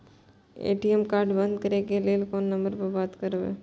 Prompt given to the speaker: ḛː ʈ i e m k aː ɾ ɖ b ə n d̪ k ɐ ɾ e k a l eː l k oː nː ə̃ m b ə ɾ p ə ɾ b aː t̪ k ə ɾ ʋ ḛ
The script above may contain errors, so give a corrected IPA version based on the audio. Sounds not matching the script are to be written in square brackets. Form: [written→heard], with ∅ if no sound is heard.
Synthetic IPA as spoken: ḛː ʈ i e m k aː ɾ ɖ b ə n d̪ k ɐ ɾ e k [a→e] l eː l k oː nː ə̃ m b ə ɾ p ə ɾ b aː t̪ k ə ɾ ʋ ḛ